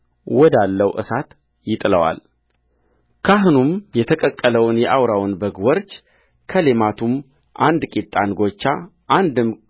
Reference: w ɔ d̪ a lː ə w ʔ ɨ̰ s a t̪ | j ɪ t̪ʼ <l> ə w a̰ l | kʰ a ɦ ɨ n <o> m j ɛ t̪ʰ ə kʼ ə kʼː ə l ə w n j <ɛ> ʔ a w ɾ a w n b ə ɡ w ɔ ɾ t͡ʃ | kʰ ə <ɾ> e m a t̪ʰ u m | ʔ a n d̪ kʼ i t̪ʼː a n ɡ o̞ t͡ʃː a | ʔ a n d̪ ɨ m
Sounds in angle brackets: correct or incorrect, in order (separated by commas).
correct, incorrect, correct, incorrect